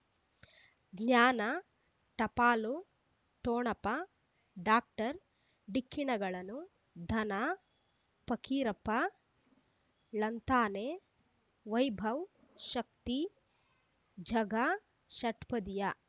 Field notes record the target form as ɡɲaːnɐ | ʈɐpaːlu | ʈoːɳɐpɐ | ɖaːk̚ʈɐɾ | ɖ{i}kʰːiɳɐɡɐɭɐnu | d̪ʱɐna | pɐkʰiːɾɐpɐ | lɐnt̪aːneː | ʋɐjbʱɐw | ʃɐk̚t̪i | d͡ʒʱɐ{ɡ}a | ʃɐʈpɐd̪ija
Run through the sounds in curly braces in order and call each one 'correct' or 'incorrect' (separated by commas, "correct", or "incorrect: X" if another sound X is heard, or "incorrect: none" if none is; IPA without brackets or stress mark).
correct, correct